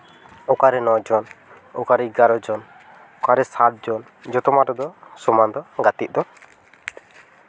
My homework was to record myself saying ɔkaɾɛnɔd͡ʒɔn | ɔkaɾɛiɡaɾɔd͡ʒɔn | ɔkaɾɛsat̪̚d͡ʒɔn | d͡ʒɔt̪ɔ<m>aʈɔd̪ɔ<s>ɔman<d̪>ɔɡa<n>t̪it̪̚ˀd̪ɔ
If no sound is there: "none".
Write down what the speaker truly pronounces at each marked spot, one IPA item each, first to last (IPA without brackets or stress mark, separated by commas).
m, s, d̪, none